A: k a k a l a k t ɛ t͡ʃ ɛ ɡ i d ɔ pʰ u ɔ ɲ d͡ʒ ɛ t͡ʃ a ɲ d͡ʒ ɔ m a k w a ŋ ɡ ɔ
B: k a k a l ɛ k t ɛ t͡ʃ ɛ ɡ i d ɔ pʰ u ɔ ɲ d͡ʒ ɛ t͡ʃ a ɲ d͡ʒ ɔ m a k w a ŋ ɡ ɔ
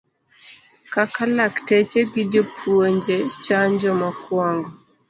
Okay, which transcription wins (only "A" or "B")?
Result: A